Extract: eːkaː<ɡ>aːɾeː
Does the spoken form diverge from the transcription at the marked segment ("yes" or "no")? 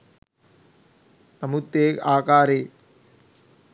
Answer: yes